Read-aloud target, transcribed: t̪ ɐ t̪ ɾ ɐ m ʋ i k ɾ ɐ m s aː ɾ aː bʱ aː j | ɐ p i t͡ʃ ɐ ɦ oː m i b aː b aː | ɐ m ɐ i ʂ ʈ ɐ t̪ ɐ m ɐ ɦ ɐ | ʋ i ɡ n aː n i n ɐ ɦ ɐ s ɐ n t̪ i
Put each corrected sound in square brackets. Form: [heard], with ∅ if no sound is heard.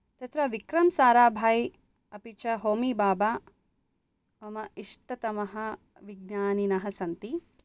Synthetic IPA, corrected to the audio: t̪ ɐ t̪ ɾ ɐ [∅] ʋ i k ɾ ɐ m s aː ɾ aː bʱ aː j | ɐ p i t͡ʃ ɐ ɦ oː m i b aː b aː | ɐ m ɐ i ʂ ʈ ɐ t̪ ɐ m ɐ ɦ ɐ | ʋ i ɡ n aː n i n ɐ ɦ ɐ s ɐ n t̪ i